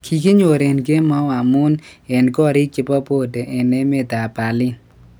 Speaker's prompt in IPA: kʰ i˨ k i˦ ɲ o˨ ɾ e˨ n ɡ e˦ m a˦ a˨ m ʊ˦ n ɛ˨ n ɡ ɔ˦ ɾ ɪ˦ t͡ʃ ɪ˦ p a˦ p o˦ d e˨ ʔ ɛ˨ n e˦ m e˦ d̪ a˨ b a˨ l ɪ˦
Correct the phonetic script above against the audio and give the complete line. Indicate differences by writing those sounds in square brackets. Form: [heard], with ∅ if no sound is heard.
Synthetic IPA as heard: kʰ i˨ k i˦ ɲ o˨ ɾ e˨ n ɡ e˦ m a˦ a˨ m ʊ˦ n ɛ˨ n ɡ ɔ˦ ɾ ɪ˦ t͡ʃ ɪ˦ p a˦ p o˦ d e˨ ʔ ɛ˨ n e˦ m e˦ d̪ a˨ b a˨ l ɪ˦